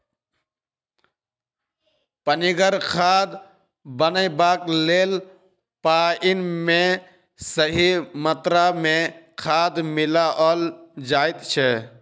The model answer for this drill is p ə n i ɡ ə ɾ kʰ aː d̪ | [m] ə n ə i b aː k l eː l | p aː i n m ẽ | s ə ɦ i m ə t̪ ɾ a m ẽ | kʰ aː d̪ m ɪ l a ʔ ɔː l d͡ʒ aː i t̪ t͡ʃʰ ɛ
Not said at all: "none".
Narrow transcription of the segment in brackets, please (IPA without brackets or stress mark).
b